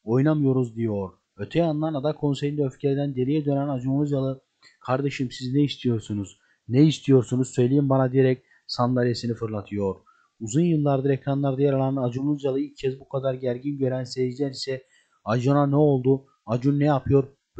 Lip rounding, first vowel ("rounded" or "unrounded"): rounded